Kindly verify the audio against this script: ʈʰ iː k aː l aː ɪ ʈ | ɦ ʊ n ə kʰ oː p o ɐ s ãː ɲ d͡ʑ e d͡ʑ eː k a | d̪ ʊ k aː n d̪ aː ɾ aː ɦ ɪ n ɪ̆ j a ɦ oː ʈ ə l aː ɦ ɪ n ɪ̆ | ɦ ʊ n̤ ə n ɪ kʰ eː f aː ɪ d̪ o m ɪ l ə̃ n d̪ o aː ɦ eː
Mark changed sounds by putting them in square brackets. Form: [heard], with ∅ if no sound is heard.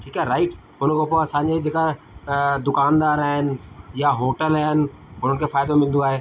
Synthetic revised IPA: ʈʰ iː k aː [ɾ] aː ɪ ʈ | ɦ ʊ n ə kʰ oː p o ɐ s ãː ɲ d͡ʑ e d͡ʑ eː k a | d̪ ʊ k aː n d̪ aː ɾ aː ɦ ɪ n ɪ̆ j a ɦ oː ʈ ə l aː ɦ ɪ n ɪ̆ | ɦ ʊ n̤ ə n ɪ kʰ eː f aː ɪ d̪ o m ɪ l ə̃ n d̪ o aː ɦ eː